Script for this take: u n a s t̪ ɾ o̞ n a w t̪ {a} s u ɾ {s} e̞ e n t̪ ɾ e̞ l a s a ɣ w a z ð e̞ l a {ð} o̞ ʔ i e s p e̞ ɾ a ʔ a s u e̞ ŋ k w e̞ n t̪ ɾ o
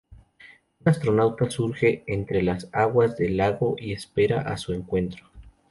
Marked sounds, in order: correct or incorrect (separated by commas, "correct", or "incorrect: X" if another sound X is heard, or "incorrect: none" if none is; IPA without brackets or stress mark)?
correct, incorrect: x, incorrect: ɣ